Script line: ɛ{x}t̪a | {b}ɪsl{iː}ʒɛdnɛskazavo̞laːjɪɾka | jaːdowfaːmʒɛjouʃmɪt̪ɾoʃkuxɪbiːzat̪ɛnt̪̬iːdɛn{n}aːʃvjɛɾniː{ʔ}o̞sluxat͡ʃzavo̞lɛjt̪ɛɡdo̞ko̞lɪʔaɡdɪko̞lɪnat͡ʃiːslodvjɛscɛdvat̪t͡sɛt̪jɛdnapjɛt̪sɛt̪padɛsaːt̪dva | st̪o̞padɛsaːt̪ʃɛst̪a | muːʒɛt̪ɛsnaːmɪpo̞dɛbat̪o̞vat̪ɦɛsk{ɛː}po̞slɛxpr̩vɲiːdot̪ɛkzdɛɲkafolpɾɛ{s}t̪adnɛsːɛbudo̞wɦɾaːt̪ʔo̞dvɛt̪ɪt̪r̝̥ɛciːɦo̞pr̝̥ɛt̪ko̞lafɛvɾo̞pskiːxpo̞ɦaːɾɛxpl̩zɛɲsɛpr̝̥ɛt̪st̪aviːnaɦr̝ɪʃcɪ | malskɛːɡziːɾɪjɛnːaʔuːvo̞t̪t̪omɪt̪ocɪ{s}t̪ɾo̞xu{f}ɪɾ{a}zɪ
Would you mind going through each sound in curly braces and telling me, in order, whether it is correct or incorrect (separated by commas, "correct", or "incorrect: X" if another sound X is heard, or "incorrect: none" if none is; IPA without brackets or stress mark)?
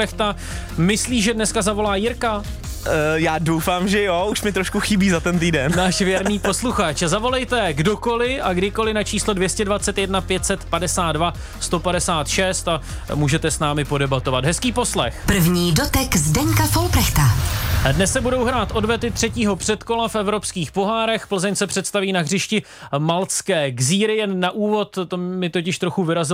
correct, incorrect: m, correct, correct, incorrect: p, incorrect: iː, incorrect: x, incorrect: ʃ, incorrect: v, correct